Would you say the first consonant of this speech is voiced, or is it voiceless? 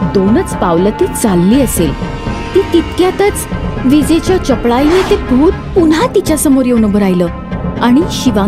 voiced